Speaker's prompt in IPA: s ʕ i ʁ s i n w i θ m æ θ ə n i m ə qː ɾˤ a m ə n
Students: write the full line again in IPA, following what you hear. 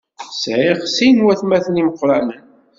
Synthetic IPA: s ʕ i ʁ s i n w æ θ m æ θ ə n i m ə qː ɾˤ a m ə n